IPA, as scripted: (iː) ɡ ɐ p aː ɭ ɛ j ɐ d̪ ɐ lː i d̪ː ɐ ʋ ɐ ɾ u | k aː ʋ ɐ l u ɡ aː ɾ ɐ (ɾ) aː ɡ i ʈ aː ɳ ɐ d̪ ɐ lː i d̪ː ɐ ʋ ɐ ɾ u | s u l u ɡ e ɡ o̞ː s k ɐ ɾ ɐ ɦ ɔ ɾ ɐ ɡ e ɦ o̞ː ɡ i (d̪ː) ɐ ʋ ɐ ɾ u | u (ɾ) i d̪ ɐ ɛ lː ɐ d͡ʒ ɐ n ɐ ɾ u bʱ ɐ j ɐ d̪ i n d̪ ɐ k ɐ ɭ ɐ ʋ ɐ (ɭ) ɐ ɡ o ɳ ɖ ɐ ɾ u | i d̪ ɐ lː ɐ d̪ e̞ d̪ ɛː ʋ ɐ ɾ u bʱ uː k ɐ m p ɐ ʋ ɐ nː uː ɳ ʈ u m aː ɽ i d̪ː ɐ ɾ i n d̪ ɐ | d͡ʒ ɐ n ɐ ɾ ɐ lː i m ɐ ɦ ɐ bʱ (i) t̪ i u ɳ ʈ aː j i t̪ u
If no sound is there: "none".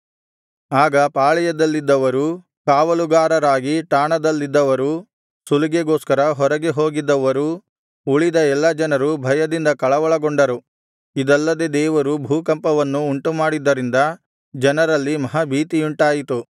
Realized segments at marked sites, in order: aː, ɾ, d̪ː, ɭ, ɭ, iː

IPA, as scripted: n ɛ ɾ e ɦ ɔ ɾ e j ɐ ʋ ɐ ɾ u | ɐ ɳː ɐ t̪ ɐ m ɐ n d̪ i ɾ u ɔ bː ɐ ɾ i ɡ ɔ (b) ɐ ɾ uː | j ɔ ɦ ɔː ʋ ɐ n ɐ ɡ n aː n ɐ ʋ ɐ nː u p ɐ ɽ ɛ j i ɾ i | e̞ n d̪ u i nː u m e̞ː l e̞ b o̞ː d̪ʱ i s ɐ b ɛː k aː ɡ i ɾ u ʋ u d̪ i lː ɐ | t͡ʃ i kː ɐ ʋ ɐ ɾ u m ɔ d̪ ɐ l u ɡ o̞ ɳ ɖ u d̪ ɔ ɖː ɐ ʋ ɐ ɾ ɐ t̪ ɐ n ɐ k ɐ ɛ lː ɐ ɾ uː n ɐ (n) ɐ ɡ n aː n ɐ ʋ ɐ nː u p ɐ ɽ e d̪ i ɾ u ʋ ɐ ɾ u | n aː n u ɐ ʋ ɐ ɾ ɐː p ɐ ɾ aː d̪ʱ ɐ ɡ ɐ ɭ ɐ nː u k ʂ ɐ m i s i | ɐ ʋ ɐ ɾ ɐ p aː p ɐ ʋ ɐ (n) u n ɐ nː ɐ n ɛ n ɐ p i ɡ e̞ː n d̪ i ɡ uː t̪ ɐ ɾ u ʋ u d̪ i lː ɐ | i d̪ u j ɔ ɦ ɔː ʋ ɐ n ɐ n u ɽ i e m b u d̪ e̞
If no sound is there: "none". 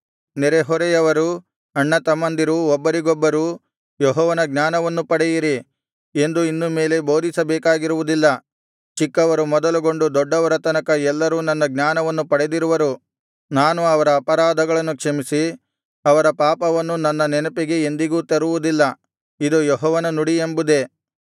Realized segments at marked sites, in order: bː, nː, nː

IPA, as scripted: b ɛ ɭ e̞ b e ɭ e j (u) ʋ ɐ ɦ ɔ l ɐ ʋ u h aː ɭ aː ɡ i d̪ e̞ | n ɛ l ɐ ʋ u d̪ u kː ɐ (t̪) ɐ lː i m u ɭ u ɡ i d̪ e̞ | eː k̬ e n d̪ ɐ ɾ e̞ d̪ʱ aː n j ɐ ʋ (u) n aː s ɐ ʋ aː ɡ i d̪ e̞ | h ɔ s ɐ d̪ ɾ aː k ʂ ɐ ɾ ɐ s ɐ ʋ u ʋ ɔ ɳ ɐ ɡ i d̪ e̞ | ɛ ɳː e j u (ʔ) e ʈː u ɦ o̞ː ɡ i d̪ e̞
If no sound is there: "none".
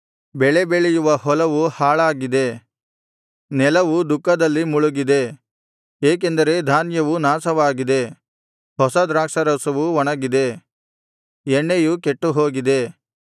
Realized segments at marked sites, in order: u, d̪, u, k

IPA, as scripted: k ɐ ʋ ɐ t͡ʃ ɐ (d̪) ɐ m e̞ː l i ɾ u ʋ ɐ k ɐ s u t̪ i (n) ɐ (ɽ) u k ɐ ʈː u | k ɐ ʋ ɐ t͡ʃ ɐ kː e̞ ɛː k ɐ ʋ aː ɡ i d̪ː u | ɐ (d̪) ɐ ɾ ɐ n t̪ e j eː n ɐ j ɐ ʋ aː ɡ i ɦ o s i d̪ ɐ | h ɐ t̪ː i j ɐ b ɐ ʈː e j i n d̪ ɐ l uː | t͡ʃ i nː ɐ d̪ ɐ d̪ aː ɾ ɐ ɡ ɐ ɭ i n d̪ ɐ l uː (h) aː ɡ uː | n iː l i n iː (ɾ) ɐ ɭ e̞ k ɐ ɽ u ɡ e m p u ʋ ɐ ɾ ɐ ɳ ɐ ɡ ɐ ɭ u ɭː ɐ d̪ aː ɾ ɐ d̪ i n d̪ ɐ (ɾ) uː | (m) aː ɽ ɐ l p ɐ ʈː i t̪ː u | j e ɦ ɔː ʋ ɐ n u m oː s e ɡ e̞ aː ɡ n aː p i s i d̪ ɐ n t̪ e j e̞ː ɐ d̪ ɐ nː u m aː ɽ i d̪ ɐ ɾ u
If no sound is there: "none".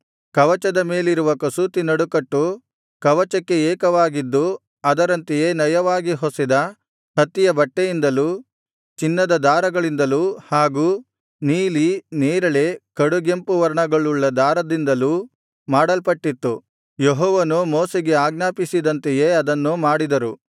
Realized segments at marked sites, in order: d̪, n, ɽ, d̪, h, ɾ, l, m

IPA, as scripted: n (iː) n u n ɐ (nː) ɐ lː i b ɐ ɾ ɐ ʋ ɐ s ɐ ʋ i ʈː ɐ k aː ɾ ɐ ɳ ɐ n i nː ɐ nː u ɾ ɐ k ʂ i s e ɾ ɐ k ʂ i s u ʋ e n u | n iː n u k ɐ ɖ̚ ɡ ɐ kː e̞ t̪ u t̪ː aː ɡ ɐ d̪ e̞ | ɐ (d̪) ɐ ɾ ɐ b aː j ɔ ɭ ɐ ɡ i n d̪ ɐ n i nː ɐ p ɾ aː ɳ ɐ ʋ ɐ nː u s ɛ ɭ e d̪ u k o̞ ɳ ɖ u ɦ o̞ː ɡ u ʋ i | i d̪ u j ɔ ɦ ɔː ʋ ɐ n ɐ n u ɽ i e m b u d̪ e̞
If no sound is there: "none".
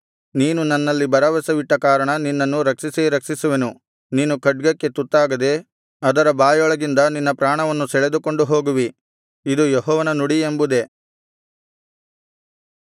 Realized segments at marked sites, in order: iː, nː, d̪

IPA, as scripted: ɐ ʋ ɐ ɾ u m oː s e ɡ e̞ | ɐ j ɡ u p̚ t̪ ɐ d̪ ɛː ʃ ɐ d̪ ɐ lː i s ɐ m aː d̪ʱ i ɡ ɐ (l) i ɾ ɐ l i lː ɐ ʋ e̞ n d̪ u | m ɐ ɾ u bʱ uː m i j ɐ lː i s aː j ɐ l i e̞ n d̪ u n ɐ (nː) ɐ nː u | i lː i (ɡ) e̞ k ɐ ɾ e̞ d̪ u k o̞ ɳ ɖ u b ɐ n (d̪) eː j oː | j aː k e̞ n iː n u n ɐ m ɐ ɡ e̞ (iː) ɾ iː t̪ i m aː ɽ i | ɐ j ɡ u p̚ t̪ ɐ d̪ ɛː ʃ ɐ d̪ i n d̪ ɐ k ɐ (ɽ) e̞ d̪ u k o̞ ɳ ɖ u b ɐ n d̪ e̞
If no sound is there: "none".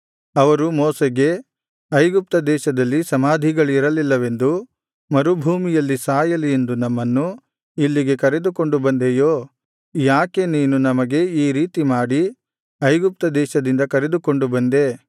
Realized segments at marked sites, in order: ɭ, mː, ɡ, d̪, iː, ɾ

